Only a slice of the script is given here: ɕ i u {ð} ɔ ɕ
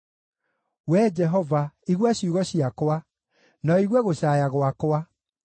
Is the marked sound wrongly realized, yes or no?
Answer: yes